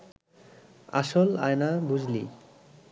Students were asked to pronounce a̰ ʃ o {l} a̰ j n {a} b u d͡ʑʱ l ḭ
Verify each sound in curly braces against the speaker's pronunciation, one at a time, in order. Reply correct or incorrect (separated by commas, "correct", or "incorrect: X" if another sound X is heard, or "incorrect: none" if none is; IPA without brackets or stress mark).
correct, correct